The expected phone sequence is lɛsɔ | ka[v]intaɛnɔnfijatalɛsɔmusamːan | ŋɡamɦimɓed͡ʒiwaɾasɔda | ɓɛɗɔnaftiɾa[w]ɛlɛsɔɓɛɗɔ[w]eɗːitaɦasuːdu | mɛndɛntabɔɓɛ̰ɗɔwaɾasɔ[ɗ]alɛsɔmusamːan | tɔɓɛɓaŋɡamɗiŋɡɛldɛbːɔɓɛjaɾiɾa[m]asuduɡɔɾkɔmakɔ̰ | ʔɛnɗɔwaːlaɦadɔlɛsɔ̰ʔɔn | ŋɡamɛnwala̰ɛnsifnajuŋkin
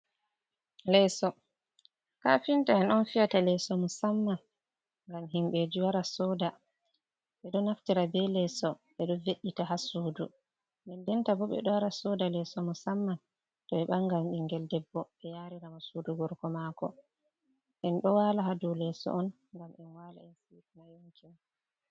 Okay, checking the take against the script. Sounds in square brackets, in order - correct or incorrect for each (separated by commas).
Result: incorrect, incorrect, incorrect, incorrect, correct